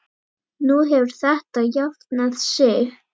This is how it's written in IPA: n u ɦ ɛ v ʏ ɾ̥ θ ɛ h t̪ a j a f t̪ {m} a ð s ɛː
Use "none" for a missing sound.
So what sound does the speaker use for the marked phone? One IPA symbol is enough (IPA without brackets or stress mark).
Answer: n